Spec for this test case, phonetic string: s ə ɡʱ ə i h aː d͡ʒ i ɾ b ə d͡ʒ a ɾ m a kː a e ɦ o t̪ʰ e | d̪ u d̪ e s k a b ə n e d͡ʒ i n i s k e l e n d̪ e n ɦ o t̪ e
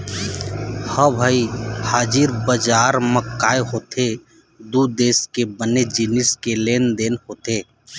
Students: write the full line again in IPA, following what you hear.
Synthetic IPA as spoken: h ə bʱ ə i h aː d͡ʒ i ɾ b ə d͡ʒ a ɾ m ə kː a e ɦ o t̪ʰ e | d̪ u d̪ e s k e b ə n e d͡ʒ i n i s k e l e n d̪ e n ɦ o t̪ e